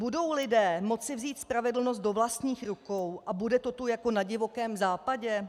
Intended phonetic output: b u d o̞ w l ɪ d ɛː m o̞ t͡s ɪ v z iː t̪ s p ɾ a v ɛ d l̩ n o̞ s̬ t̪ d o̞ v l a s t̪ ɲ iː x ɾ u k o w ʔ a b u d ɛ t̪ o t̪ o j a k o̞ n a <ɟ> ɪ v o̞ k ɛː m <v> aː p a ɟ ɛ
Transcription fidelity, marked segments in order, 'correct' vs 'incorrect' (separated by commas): correct, incorrect